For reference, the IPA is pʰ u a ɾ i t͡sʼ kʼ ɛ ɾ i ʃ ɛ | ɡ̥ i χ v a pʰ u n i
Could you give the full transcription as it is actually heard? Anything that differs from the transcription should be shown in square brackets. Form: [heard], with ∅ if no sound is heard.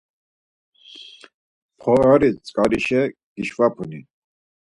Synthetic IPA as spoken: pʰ [ɔ] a ɾ i t͡sʼ kʼ [a] ɾ i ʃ ɛ | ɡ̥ i [ʃ] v a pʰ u n i